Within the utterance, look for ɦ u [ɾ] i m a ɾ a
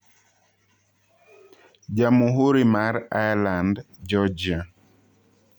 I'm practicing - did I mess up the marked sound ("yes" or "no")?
no